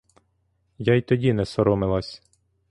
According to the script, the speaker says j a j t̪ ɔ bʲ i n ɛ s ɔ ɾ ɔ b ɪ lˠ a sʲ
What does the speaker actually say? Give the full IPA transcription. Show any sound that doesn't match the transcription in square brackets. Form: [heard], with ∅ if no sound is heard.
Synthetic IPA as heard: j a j t̪ ɔ [dʲ] i n ɛ s ɔ ɾ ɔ [m] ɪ lˠ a sʲ

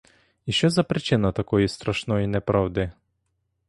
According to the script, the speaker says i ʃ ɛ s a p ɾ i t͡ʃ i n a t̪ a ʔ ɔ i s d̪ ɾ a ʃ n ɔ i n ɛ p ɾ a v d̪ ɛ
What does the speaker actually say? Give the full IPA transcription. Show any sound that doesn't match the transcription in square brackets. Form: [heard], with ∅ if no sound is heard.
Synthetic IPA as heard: i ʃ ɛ [z] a p ɾ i t͡ʃ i n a t̪ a [k] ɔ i s [t̪] ɾ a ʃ n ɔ i n ɛ p ɾ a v d̪ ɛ

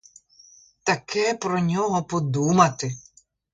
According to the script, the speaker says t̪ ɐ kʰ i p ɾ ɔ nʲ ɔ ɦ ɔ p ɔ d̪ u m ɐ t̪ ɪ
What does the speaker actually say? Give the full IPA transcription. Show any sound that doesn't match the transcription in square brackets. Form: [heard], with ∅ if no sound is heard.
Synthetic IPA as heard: t̪ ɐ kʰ [ɛ] p ɾ ɔ nʲ ɔ ɦ ɔ p ɔ d̪ u m ɐ t̪ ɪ

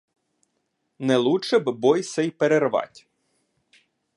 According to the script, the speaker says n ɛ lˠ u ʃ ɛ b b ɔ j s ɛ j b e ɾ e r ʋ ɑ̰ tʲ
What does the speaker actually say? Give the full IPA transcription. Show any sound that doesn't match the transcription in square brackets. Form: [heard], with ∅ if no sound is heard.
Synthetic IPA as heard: n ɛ lˠ u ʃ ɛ b b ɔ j s ɛ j [p] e ɾ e r ʋ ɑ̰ tʲ

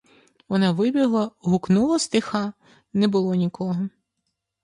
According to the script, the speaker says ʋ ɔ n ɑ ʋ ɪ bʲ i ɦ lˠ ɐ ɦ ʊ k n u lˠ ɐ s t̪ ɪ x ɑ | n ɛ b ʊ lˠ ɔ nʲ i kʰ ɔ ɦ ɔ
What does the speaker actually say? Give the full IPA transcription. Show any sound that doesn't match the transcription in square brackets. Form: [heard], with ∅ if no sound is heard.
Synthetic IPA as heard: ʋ ɔ n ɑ ʋ ɪ bʲ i ɦ lˠ ɐ ɦ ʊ k n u lˠ ɐ s t̪ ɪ x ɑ | n ɛ b ʊ lˠ ɔ nʲ i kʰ ɔ ɦ ɔ

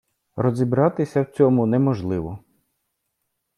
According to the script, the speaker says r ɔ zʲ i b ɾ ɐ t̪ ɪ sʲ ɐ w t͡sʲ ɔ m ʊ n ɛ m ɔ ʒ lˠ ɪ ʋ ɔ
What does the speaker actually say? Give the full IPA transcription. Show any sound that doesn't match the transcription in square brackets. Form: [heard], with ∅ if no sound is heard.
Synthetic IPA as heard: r ɔ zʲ i b ɾ [ɑ] t̪ ɪ sʲ ɐ w t͡sʲ ɔ m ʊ n ɛ m ɔ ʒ lˠ ɪ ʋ ɔ

